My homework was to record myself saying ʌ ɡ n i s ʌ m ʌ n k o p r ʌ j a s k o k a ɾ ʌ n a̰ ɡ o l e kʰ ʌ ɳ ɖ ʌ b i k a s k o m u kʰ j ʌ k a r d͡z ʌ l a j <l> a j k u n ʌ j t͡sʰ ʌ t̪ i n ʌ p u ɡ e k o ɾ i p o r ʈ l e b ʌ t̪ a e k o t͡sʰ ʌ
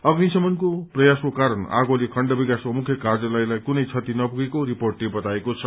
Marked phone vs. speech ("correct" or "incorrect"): correct